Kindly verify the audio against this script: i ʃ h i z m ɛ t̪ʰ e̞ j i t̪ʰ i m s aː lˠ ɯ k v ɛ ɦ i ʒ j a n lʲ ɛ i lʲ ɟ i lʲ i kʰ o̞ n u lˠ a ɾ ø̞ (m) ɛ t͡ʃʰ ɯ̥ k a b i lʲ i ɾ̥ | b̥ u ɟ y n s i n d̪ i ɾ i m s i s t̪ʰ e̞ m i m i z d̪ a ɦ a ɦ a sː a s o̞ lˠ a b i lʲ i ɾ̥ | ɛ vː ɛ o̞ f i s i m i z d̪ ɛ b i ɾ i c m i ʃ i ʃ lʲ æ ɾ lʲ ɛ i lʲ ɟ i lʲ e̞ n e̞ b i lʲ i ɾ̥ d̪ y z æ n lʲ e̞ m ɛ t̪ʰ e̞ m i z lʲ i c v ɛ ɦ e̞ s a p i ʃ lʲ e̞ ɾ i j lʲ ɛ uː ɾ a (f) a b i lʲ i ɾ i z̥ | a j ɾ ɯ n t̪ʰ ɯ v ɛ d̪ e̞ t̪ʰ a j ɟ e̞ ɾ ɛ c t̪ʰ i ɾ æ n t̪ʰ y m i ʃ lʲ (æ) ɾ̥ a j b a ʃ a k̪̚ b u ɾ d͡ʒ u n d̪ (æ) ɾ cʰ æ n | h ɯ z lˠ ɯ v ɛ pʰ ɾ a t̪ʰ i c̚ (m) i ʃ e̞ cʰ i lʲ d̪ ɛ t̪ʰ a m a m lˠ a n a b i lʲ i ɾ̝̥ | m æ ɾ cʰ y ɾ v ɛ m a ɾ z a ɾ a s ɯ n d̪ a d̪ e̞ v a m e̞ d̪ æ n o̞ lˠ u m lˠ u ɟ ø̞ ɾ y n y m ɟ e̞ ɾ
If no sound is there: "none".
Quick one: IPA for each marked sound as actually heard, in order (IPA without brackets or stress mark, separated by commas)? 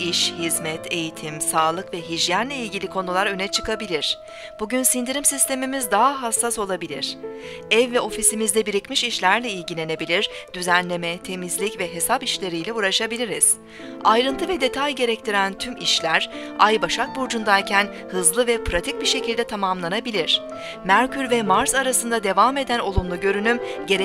n, ʃ, æ, a, b